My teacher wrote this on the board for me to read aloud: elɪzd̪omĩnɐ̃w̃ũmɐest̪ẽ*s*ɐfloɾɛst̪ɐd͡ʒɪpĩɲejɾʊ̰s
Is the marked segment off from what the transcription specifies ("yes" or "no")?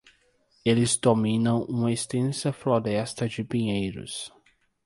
no